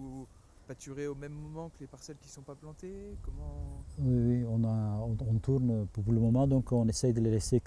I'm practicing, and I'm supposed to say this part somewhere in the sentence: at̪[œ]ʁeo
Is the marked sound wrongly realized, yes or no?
yes